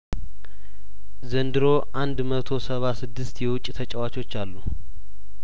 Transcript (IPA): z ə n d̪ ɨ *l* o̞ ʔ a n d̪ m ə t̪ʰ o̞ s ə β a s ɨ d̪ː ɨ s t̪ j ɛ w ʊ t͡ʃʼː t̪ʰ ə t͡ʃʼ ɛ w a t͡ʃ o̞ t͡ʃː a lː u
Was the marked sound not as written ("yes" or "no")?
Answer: yes